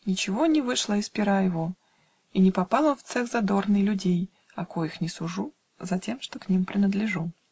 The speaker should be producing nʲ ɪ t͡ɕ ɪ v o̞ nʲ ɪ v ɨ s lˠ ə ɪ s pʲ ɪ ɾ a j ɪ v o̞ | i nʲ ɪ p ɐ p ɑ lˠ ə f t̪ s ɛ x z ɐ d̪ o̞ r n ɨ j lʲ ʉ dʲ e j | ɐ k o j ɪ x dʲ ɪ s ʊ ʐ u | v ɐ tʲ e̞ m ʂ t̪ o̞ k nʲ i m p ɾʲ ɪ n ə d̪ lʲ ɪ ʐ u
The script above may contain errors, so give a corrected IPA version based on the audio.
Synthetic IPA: nʲ ɪ t͡ɕ ɪ v o̞ nʲ ɪ v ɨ ʂ lˠ ə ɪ s pʲ ɪ ɾ a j ɪ v o̞ | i nʲ ɪ p ɐ p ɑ lˠ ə f t̪ s ɛ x z ɐ d̪ o̞ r n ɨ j lʲ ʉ dʲ e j | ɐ k o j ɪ x nʲ ɪ s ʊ ʐ u | z ɐ tʲ e̞ m ʂ t̪ o̞ k nʲ i m p ɾʲ ɪ n ə d̪ lʲ ɪ ʐ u